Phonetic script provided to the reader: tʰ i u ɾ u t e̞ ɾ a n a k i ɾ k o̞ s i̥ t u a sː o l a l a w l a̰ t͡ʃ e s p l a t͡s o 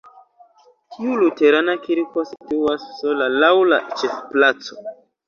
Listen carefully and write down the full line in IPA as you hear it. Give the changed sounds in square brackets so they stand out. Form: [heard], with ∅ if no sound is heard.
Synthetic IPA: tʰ i u [l] u t e̞ ɾ a n a k i ɾ k o̞ s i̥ t u a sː o l a l a w l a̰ t͡ʃ e [f] p l a t͡s o